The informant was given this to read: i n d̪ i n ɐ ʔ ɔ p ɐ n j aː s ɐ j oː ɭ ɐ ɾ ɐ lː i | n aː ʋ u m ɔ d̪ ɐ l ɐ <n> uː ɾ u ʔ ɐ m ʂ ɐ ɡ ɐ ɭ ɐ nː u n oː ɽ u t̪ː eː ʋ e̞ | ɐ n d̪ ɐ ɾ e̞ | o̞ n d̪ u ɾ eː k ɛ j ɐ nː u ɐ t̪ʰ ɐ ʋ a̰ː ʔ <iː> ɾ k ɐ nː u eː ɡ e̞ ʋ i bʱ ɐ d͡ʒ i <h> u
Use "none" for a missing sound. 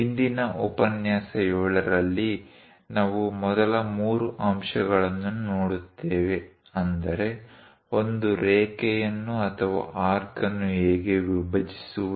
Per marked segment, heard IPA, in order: m, aː, s

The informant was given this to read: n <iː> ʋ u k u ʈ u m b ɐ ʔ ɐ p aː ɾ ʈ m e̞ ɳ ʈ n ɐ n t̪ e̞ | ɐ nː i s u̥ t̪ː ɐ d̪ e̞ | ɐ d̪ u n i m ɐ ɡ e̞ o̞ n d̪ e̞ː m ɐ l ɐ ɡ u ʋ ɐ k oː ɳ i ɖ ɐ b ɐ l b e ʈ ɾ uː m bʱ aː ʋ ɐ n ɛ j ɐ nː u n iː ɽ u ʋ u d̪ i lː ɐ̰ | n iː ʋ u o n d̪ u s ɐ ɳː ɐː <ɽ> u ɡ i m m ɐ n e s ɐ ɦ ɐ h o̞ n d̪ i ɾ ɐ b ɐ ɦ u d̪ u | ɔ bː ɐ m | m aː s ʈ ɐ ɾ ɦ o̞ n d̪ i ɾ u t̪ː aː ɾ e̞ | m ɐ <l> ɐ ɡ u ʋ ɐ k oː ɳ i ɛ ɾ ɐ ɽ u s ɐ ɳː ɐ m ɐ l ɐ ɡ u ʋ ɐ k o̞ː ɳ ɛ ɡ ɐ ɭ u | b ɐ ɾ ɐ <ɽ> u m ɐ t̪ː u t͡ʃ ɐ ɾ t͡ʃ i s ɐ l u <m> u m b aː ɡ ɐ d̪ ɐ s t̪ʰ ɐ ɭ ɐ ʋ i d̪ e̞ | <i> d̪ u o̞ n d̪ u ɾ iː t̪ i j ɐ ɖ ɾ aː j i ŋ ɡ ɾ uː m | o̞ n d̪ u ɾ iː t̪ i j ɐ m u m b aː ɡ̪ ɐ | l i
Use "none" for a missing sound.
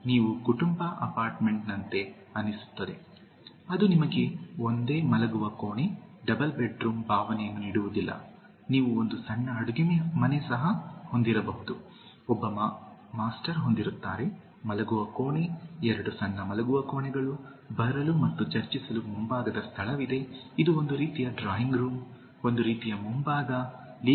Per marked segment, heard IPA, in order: iː, ɽ, l, l, m, i

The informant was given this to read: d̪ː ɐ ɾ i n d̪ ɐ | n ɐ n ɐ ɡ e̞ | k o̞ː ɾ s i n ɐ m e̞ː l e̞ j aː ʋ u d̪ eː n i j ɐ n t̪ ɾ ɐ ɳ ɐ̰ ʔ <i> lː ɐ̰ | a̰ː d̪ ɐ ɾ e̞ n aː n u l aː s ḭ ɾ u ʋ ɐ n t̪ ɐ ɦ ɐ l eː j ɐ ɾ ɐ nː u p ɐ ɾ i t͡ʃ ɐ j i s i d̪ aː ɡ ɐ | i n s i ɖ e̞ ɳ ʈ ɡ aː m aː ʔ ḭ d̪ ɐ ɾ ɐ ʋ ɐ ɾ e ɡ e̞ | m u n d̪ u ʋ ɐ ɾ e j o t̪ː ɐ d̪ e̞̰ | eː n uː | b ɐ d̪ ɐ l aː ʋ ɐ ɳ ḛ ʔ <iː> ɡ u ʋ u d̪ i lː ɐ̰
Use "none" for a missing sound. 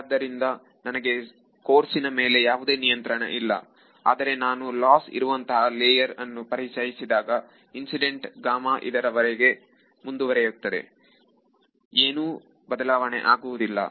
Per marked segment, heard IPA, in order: i, aː

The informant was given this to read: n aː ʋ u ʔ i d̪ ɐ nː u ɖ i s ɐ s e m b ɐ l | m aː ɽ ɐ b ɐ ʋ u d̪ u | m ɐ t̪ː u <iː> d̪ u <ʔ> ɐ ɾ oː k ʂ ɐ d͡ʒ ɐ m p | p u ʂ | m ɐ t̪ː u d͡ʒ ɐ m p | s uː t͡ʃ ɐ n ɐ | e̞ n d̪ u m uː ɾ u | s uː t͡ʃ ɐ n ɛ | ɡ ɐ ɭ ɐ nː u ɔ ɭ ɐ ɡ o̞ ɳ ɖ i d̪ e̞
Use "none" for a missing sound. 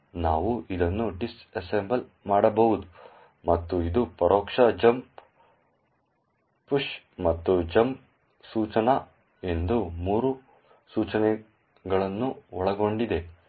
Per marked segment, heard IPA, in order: i, p

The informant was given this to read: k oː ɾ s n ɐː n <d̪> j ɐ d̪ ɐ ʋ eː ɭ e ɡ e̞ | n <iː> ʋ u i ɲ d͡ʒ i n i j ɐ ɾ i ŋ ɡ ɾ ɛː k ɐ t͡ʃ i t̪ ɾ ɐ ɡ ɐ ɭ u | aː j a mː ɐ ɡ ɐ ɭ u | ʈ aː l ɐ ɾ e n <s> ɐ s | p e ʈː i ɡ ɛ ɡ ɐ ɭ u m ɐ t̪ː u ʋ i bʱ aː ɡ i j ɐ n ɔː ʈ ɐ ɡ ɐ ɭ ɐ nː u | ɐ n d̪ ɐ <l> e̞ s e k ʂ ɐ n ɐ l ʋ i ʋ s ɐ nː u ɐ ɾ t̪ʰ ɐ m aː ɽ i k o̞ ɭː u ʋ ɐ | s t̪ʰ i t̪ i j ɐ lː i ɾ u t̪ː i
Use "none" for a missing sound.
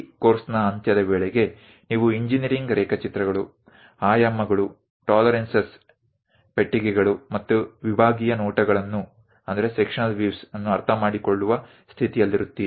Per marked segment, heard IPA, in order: t̪, iː, s, ɾ

